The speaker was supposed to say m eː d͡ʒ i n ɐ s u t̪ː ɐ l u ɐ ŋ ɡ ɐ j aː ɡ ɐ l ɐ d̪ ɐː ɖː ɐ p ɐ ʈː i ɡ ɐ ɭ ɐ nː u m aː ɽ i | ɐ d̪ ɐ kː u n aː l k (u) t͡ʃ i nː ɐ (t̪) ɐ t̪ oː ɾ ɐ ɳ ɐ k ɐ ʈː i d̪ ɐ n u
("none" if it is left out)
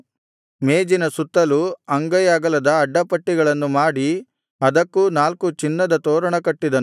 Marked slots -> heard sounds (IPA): u, d̪

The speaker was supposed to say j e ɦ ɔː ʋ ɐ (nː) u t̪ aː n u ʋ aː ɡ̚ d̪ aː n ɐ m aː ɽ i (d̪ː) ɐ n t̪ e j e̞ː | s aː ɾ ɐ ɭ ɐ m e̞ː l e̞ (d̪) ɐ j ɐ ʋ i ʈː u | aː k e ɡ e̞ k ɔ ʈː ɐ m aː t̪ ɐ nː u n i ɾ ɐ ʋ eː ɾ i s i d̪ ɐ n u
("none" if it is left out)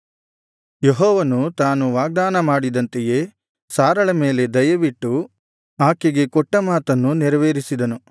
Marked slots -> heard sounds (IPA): n, d̪, d̪

